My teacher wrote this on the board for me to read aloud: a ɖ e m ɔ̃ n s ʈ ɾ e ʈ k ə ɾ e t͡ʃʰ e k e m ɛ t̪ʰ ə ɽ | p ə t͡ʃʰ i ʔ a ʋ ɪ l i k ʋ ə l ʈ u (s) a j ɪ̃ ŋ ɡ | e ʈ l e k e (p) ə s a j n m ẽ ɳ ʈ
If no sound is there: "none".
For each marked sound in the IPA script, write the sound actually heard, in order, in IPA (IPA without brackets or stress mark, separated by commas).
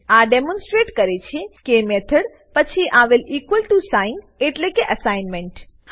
s, ʔ